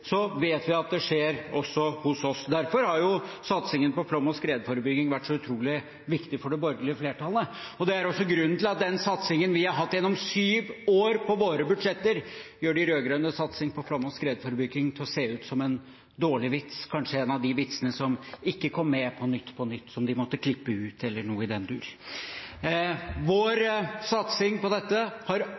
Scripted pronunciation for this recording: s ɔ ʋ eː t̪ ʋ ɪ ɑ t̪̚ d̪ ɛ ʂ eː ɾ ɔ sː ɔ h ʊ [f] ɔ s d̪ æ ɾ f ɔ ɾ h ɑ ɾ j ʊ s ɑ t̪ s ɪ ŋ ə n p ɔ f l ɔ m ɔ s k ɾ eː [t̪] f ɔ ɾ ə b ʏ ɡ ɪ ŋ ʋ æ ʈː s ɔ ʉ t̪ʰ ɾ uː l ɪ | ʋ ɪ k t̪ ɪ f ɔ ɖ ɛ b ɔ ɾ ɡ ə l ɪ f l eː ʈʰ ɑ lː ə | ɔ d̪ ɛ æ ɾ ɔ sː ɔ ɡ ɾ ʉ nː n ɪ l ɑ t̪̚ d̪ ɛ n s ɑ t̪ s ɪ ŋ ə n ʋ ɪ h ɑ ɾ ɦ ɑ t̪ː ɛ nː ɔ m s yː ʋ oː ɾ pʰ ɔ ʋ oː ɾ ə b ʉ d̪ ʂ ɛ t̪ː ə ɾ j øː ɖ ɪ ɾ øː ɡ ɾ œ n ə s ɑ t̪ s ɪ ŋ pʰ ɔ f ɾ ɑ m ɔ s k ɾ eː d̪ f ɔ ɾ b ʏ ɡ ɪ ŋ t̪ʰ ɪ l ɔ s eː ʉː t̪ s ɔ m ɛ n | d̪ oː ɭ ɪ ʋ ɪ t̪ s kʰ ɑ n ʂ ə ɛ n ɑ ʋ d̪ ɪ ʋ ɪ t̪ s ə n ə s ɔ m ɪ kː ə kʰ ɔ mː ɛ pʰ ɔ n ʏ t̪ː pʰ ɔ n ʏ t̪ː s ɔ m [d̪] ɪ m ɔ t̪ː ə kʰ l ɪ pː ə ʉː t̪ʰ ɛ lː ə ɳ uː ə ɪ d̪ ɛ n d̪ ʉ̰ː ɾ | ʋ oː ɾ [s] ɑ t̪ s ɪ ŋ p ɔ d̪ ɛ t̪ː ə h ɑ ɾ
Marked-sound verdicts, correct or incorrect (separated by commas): incorrect, incorrect, correct, correct